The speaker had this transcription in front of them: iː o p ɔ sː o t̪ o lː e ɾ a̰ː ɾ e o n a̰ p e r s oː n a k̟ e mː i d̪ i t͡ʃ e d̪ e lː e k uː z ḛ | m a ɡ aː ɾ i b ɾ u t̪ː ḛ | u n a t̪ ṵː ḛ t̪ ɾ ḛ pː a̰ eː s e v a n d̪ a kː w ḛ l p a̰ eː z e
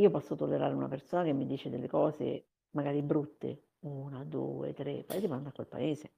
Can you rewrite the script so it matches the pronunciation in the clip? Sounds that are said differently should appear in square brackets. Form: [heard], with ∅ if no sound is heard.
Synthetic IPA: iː o p ɔ sː o t̪ o lː e ɾ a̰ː ɾ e [u] n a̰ p e r s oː n a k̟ e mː i d̪ [iː] t͡ʃ e d̪ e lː e k [ɔː] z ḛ | m a ɡ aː ɾ i b ɾ u t̪ː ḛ | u n a [d̪] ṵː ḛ t̪ ɾ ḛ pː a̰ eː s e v a n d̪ a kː w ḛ l p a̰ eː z e